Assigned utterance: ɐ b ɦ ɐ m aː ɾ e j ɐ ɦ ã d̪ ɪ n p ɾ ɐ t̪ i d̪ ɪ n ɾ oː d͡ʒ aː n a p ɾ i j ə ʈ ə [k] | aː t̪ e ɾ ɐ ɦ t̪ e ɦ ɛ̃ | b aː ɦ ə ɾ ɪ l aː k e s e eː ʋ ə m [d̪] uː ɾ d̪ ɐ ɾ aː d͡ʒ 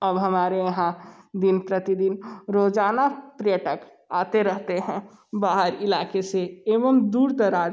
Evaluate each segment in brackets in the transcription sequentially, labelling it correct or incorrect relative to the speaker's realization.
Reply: correct, correct

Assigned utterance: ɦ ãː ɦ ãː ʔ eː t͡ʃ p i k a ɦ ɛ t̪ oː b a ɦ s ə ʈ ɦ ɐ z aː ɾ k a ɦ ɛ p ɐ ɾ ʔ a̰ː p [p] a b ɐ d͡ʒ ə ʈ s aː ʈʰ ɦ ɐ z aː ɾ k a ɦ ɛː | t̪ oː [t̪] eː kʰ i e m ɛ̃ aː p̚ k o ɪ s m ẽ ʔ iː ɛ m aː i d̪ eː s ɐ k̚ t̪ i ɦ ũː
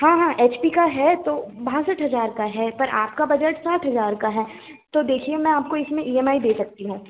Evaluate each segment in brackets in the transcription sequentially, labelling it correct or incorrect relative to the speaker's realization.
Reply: incorrect: k, incorrect: d̪

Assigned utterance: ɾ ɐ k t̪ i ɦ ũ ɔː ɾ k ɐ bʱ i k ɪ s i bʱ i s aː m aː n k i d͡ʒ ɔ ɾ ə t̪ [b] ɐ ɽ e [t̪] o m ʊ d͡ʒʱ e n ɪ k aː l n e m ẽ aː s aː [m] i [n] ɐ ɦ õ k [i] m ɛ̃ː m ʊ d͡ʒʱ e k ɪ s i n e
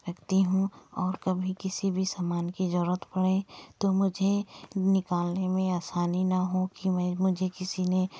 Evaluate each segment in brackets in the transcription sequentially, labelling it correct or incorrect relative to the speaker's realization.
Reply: incorrect: p, correct, incorrect: n, correct, correct

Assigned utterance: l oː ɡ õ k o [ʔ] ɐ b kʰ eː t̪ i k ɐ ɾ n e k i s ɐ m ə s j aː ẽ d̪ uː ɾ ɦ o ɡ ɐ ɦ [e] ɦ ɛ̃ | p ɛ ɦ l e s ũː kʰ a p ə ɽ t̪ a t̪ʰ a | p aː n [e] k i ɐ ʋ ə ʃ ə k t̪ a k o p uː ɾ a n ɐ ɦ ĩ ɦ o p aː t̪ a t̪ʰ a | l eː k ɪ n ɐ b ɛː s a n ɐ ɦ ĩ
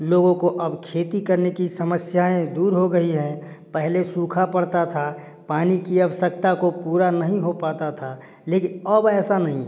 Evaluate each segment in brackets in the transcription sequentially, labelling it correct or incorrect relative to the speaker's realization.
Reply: correct, incorrect: i, incorrect: i

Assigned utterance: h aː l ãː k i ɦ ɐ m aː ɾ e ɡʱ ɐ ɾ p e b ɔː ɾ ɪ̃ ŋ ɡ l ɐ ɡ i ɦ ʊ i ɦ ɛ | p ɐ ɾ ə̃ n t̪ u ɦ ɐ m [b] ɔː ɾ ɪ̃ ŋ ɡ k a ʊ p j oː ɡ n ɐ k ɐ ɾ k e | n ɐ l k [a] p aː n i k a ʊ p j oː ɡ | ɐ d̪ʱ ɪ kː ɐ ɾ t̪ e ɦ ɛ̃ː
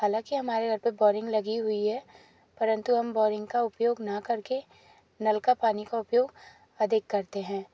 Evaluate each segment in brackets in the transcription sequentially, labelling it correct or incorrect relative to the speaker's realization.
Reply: correct, correct

